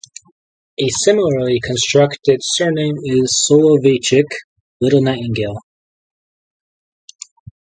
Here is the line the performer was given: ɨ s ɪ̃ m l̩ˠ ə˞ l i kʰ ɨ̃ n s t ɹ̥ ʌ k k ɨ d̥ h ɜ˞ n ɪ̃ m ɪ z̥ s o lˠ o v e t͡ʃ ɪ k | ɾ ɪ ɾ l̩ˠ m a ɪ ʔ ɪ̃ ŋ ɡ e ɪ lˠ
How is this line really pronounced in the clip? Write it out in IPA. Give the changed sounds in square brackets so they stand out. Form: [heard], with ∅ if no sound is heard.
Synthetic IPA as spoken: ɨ s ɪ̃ m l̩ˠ ə˞ l i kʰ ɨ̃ n s t ɹ̥ ʌ k [t] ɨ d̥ [s] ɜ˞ n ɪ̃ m ɪ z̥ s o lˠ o v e t͡ʃ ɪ k | [l] ɪ ɾ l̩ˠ [n] a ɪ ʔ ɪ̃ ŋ ɡ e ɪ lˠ